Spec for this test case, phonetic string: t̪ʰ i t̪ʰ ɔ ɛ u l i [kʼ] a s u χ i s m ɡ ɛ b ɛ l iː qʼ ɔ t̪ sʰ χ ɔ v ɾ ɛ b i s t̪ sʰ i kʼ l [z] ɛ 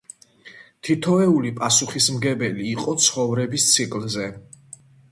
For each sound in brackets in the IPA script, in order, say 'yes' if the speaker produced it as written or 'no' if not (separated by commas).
no, yes